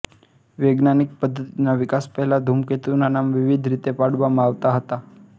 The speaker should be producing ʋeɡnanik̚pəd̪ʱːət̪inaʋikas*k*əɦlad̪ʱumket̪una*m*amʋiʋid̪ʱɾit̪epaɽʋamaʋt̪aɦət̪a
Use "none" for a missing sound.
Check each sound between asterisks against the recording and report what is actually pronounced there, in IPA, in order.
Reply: p, n

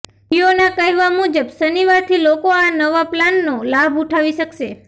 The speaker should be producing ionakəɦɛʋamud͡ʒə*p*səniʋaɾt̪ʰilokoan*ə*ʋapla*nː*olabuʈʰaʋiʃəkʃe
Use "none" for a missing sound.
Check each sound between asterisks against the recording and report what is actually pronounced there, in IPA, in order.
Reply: b, ə, nː

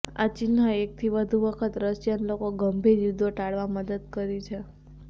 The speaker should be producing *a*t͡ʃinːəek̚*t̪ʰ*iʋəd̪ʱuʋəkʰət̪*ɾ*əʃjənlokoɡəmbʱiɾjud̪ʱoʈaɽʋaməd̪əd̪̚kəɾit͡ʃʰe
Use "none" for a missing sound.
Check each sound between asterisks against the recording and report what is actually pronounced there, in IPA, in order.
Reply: a, t̪ʰ, ɾ

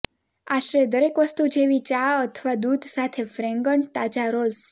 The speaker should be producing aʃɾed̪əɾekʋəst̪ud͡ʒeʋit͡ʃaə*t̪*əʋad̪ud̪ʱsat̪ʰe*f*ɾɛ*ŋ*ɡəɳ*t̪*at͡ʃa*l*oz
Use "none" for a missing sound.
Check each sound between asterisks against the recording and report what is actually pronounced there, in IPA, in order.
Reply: t̪ʰ, f, ŋ, t̪, ɾ

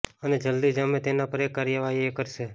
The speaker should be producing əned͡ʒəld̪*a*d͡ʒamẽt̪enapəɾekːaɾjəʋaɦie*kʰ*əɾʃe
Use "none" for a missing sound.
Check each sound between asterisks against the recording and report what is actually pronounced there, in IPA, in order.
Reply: i, k

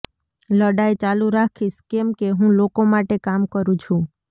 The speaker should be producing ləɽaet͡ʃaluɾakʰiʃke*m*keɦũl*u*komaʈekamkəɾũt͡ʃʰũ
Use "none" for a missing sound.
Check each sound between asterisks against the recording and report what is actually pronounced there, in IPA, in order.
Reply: m, o

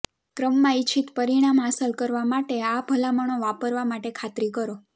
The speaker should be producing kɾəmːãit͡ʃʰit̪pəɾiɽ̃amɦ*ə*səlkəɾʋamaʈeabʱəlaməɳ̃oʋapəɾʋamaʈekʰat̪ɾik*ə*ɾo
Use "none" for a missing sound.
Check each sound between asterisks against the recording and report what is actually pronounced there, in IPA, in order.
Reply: a, ə

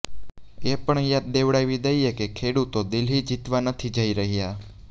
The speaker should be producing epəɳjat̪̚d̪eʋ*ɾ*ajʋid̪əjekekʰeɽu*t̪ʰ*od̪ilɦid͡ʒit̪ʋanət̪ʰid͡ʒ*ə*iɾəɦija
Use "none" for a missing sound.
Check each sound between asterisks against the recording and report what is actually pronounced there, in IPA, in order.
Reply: ɽ, t̪, ə

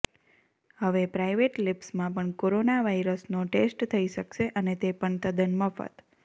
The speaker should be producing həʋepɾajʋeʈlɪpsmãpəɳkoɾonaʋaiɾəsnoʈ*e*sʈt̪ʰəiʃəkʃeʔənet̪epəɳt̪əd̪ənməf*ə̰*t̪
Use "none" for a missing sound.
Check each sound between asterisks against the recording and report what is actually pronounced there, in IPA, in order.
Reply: e, ə̰

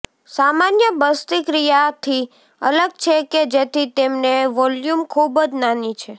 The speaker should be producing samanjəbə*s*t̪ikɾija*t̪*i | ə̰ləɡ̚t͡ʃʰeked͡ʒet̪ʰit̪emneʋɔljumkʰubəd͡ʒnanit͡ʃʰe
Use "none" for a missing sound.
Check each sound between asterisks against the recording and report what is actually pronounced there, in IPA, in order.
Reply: s, t̪ʰ

